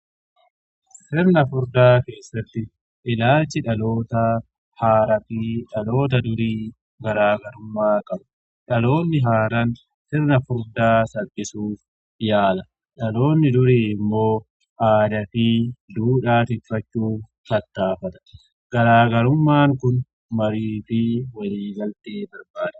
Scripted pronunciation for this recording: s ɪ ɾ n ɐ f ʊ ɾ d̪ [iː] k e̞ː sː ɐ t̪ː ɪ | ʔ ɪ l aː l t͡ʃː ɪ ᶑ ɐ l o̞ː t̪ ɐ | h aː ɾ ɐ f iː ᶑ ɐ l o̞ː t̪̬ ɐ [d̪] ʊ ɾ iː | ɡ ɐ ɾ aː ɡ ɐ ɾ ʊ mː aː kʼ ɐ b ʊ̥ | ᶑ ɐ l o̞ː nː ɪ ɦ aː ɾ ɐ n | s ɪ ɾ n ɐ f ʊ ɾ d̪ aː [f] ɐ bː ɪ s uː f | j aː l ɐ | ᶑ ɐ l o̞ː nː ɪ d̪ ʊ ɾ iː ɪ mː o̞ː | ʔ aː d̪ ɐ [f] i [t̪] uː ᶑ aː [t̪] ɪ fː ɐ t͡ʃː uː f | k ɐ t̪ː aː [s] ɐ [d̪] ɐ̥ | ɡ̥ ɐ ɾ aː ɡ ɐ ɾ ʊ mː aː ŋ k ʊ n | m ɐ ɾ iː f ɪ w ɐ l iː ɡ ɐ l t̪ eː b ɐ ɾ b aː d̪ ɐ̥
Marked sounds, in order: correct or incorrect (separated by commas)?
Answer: incorrect, correct, incorrect, correct, incorrect, correct, incorrect, incorrect